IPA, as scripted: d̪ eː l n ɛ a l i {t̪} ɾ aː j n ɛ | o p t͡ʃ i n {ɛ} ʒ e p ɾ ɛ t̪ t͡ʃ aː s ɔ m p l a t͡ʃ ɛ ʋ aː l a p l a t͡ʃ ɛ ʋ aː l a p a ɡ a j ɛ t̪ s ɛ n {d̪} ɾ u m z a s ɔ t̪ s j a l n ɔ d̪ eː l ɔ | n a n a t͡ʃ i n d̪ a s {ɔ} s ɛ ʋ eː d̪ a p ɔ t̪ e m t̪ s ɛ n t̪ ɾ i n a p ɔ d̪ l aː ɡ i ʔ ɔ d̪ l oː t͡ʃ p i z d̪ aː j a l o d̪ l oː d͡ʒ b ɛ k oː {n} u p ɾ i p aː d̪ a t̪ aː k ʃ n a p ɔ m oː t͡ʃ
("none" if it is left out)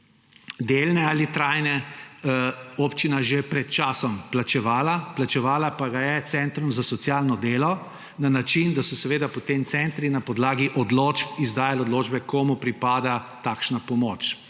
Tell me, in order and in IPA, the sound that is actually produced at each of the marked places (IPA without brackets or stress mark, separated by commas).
t̪, a, t̪, ɔ, m